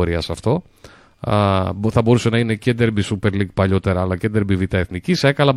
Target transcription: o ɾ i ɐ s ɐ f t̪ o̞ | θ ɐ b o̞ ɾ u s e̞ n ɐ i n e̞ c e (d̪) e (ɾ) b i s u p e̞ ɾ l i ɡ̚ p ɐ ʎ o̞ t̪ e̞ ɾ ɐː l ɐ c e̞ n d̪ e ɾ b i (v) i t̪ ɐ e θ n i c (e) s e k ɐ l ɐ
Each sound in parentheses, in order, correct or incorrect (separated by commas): correct, correct, correct, incorrect